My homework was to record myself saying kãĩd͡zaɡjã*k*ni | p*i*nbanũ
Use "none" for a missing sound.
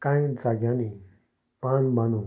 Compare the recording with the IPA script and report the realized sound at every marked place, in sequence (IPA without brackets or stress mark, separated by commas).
none, a